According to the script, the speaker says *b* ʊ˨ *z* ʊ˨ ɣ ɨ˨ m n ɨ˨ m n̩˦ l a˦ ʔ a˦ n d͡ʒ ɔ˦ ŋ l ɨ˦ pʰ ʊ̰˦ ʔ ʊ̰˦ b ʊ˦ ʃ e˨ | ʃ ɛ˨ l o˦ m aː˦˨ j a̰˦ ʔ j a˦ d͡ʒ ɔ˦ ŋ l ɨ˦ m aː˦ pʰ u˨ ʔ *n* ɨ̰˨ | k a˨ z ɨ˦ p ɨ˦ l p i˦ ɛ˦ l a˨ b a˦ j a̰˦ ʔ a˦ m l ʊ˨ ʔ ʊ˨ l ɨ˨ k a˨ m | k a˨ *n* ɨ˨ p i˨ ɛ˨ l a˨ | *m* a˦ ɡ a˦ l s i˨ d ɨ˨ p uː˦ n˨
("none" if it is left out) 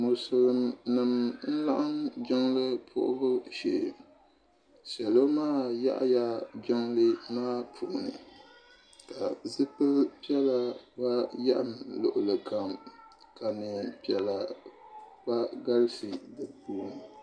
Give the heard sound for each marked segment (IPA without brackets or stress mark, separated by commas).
m, s, n, n, b